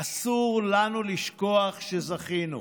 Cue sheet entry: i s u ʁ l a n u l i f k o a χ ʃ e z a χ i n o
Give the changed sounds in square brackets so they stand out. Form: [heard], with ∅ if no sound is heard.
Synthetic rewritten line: [a] s u ʁ l a n u l i [ʃ] k o a χ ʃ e z a χ i n [u]